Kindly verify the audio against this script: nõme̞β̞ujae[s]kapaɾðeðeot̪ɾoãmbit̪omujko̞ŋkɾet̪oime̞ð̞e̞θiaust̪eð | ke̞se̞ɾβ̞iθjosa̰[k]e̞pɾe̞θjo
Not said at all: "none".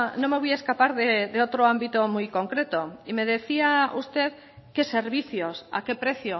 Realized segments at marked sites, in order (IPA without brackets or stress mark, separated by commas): s, k